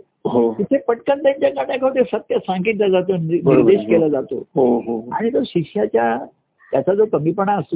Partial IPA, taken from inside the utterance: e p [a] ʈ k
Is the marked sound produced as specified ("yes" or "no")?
no